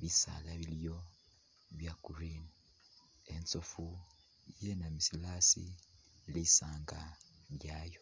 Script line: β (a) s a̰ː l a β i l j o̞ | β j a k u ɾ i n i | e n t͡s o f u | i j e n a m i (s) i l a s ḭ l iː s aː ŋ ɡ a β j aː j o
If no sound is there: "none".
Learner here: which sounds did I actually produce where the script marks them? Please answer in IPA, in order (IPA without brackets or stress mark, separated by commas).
i, s